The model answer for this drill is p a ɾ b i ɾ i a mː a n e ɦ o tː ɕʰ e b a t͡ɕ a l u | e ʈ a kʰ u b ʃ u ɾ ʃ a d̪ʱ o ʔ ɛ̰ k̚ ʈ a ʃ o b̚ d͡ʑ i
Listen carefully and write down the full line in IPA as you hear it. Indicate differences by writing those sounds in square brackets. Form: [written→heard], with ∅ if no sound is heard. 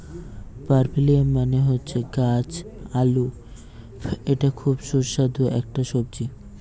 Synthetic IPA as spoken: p a ɾ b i [ɾ→l] i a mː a n e ɦ o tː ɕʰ e [b→ɡ] a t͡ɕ a l u | e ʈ a kʰ u b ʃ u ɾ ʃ a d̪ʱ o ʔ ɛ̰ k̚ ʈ a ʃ o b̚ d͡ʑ i